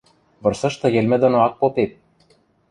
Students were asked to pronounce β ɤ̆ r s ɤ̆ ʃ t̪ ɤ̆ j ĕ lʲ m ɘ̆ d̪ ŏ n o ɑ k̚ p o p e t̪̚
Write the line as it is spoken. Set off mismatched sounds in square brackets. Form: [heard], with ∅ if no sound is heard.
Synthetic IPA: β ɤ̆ r s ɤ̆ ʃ t̪ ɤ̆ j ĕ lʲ m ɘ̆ d̪ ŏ n o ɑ k̚ p o p e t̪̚